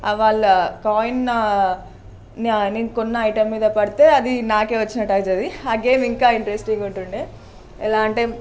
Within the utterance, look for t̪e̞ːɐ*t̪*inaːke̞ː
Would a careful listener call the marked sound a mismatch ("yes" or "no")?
yes